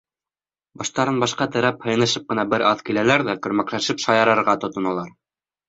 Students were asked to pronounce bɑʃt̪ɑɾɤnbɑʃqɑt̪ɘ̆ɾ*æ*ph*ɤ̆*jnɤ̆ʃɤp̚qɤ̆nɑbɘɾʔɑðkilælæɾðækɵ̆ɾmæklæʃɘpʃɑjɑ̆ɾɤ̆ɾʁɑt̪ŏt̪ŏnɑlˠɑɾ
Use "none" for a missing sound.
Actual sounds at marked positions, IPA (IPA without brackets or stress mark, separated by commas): æ, ɤ̆